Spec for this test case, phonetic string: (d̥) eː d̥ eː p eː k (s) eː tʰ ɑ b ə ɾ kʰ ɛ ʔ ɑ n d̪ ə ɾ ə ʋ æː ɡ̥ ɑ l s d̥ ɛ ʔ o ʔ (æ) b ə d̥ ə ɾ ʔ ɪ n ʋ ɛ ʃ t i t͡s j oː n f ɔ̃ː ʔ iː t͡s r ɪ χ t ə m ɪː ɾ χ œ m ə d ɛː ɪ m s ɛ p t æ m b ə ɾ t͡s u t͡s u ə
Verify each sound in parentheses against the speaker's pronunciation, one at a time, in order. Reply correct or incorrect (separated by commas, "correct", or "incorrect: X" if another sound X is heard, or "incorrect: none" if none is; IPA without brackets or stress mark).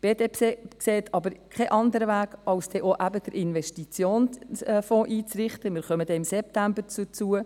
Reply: incorrect: b̥, correct, correct